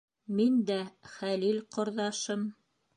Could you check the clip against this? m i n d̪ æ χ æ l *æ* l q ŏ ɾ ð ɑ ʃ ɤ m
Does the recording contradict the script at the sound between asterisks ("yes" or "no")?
yes